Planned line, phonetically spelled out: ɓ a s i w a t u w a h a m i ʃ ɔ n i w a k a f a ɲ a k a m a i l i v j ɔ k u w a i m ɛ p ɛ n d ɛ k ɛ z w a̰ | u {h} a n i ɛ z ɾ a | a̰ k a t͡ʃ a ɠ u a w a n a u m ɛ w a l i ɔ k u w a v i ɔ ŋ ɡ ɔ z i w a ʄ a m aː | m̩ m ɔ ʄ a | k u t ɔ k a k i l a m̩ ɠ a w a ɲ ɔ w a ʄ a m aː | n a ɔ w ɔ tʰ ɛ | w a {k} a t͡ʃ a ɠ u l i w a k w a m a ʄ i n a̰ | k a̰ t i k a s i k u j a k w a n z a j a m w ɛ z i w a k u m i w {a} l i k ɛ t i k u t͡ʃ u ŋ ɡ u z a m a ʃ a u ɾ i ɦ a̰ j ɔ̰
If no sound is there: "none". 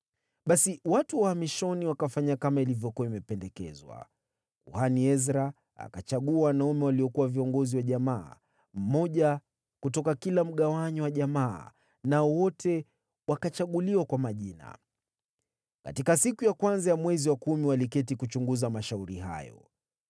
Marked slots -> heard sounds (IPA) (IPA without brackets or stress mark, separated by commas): h, k, a